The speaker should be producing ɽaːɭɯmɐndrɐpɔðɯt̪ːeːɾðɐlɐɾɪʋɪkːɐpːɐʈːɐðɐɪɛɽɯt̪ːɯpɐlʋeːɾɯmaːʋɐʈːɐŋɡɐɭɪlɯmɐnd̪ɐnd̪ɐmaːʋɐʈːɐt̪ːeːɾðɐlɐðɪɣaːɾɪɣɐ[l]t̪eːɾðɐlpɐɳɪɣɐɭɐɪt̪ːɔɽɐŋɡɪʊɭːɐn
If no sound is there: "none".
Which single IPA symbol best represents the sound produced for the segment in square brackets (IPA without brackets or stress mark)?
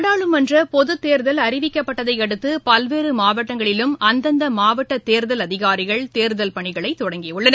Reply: ɭ